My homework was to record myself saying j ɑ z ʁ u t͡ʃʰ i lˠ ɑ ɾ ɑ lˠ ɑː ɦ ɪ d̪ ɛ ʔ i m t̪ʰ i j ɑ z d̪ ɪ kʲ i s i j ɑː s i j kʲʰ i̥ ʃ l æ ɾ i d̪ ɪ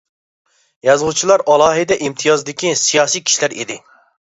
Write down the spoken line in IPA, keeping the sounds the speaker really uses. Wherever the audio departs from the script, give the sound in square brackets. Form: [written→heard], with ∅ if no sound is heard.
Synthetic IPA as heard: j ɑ z ʁ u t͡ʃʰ i lˠ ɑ ɾ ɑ lˠ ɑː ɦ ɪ d̪ ɛ ʔ i m t̪ʰ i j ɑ z d̪ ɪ kʲ i s i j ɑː s i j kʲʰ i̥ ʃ l æ ɾ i d̪ ɪ